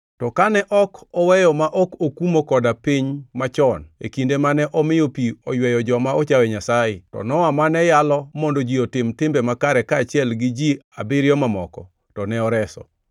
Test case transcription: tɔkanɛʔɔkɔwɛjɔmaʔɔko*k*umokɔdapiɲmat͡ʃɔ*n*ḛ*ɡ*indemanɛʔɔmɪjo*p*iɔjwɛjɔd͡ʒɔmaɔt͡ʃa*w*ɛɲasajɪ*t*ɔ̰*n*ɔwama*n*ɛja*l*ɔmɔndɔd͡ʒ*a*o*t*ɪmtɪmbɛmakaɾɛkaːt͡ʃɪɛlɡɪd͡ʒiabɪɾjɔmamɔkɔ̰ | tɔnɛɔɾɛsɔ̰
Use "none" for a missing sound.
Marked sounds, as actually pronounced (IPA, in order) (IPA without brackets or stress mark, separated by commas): k, n, k, p, w, t, n, n, l, i, t